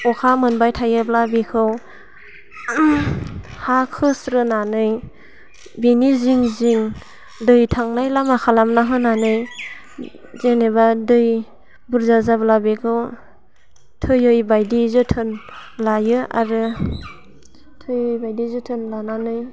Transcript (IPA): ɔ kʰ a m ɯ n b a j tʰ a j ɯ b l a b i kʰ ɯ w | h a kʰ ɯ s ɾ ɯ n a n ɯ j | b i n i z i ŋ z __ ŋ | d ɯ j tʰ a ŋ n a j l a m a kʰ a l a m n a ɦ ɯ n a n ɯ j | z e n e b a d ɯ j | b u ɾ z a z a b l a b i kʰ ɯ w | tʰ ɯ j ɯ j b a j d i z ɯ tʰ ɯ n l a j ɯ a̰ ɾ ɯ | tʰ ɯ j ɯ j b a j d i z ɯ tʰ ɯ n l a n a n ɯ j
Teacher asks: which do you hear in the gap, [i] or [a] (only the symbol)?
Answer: i